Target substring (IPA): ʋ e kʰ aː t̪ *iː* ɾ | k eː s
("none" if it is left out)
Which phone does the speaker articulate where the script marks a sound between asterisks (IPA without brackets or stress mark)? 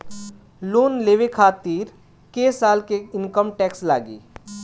iː